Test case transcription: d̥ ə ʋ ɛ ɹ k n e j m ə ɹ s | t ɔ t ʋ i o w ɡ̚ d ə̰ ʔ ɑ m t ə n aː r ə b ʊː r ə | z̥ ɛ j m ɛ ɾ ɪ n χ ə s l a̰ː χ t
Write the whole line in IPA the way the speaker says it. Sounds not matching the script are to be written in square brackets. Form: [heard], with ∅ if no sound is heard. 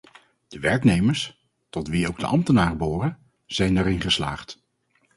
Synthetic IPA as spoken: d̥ ə ʋ ɛ ɹ k n e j m ə ɹ s | t ɔ t ʋ i o w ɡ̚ d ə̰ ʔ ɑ m t ə n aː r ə b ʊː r ə | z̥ ɛ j [n] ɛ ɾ ɪ n χ ə s l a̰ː χ t